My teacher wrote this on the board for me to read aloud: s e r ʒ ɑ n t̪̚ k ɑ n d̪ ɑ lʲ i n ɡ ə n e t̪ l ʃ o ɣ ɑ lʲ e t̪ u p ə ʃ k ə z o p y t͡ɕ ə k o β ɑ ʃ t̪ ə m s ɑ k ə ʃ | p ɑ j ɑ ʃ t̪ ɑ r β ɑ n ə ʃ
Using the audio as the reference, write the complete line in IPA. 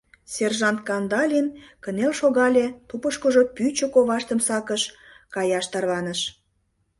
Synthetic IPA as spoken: s e r ʒ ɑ n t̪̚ k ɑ n d̪ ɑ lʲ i n k ə n e l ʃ o ɣ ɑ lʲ e t̪ u p ə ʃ k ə ʒ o p y t͡ɕ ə k o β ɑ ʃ t̪ ə m s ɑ k ə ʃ | k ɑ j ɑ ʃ t̪ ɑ r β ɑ n ə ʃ